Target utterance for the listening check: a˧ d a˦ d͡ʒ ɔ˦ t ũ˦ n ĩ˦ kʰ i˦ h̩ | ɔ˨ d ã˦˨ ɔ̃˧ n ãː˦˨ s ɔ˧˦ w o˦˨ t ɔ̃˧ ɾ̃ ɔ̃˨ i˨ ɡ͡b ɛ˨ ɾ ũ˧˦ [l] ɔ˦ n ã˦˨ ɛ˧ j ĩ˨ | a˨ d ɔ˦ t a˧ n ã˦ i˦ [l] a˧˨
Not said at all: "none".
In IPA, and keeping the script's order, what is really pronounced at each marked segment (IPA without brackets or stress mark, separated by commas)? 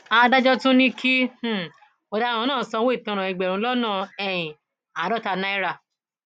l, ɾ